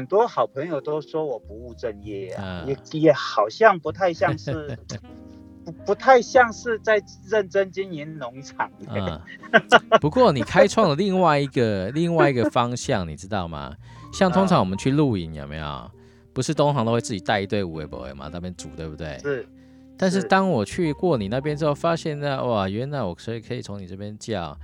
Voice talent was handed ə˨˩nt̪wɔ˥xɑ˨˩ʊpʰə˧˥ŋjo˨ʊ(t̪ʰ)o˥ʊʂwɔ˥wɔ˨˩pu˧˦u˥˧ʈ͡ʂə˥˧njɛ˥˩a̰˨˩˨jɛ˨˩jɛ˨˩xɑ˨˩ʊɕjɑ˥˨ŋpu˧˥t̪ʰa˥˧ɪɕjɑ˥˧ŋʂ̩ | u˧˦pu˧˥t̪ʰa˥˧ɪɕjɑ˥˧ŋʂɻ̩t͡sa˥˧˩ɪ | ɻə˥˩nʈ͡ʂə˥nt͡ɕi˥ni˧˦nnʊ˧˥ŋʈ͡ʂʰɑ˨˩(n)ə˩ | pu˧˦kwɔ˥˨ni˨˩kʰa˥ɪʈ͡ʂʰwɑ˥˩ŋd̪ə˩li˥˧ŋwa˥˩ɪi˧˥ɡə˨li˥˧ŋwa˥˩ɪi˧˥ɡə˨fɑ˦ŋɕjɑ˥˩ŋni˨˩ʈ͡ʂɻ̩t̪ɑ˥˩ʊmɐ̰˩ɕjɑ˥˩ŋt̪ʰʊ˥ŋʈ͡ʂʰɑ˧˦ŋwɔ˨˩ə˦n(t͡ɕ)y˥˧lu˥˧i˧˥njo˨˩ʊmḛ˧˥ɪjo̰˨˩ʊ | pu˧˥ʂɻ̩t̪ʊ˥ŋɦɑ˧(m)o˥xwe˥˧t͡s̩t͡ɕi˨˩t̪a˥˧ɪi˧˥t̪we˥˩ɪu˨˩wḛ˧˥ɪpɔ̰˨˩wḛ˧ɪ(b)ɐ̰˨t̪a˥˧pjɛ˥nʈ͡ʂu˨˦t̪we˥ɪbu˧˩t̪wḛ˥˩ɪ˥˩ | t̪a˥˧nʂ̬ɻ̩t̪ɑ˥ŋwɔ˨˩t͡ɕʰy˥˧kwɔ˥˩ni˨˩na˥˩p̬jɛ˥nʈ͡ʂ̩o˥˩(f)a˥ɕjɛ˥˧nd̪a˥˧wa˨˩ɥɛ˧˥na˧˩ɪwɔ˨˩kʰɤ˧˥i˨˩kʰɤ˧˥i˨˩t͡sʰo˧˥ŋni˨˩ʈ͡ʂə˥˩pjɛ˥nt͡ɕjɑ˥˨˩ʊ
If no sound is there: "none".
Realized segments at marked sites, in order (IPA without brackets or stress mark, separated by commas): t̪, ŋ, t͡ɕʰ, ŋ, m, f